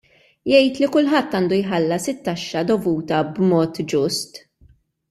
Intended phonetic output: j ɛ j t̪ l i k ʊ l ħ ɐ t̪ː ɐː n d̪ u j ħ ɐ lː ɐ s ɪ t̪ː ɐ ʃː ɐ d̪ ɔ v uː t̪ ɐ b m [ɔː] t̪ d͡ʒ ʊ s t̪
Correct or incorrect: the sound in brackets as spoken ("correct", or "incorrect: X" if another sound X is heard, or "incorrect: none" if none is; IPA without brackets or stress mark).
correct